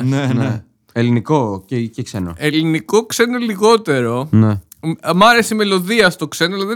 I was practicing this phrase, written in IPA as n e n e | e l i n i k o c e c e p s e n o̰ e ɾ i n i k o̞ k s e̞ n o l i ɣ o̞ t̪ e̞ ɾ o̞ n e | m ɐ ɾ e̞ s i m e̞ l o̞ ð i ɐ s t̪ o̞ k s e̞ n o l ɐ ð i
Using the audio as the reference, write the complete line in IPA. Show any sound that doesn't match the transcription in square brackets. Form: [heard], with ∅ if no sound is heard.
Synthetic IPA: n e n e | e l i n i k o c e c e [k] s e n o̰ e [l] i n i k o̞ k s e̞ n o l i ɣ o̞ t̪ e̞ ɾ o̞ n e | m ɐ ɾ e̞ s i m e̞ l o̞ ð i ɐ s t̪ o̞ k s e̞ n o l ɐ ð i